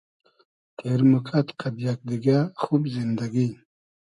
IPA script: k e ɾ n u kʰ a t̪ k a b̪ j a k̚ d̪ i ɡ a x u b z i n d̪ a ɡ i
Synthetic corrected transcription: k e ɾ m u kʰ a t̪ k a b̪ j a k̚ d̪ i ɡ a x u b z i n d̪ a ɡ i